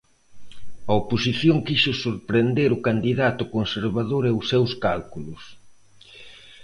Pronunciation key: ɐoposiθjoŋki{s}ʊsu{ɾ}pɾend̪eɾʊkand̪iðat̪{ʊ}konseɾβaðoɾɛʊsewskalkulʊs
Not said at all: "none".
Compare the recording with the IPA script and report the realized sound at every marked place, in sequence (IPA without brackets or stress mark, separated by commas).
ʃ, ɾ, ʊ